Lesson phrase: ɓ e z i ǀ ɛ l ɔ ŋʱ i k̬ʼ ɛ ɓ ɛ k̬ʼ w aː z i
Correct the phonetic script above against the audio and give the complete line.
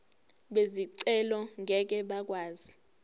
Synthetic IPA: ɓ e z i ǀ ɛ l ɔ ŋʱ ɛ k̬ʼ ɛ ɓ a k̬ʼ w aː z i